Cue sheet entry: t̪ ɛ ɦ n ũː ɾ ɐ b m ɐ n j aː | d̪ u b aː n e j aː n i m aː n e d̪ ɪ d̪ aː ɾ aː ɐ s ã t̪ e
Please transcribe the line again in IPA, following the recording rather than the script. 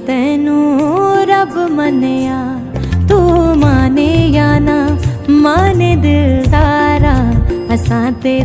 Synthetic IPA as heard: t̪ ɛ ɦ n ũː ɾ ɐ b m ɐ n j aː | t̪ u m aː n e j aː n a m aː n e d̪ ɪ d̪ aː ɾ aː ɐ s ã t̪ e